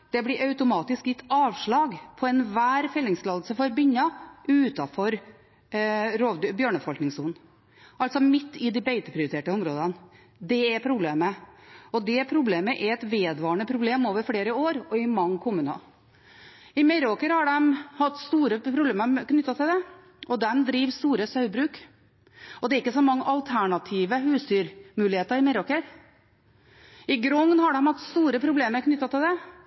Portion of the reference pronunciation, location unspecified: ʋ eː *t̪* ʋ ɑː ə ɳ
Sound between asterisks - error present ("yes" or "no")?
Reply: yes